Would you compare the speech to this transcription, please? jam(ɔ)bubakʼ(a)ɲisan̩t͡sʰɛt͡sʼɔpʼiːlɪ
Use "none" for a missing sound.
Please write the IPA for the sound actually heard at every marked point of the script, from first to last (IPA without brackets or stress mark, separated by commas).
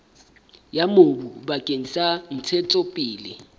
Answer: o, e